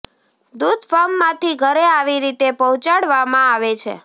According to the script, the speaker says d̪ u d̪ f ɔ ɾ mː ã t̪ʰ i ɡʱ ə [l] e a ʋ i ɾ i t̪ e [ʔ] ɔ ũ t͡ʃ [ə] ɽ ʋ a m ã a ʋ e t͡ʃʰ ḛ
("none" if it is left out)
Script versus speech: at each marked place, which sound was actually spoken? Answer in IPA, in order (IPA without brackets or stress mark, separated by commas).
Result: ɾ, p, a